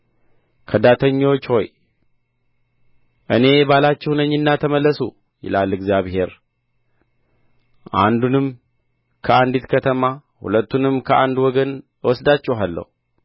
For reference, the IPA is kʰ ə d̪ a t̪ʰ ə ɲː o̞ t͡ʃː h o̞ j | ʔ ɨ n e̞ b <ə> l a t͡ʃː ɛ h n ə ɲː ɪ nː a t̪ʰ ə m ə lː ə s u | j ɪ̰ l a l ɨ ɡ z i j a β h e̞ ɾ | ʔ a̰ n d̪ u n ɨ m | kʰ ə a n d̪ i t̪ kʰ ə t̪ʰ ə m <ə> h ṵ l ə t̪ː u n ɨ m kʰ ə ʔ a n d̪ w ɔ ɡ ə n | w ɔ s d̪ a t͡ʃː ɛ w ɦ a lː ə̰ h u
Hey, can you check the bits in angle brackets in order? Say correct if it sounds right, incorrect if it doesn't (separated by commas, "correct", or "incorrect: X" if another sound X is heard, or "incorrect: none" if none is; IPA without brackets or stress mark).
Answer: incorrect: a, incorrect: a